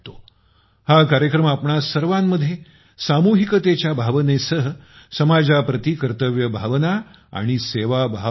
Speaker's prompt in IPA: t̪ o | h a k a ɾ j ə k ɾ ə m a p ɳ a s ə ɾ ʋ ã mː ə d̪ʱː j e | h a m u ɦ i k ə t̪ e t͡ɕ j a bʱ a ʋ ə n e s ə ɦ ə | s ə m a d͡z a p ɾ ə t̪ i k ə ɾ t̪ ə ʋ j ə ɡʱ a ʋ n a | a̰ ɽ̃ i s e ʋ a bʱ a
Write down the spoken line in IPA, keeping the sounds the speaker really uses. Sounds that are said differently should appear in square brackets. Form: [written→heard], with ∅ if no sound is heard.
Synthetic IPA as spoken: t̪ o | h a k a ɾ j ə k ɾ ə m a p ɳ a s ə ɾ ʋ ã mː ə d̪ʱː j e | [h→s] a m u ɦ i k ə t̪ e t͡ɕ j a bʱ a ʋ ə n e s ə ɦ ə | s ə m a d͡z a p ɾ ə t̪ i k ə ɾ t̪ ə ʋ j ə [ɡʱ→bʱ] a ʋ n a | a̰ ɽ̃ i s e ʋ a bʱ a